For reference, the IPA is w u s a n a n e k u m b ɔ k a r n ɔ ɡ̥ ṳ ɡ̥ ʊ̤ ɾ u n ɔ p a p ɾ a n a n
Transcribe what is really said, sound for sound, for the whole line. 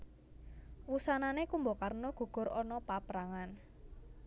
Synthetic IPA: w u s a n a n e k u m b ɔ k a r n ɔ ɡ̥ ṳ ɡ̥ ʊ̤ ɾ ɔ n ɔ p a p ɾ a ŋ a n